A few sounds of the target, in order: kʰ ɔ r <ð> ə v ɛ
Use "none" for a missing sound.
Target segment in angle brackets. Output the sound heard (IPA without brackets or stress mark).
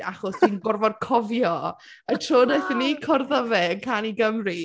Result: ð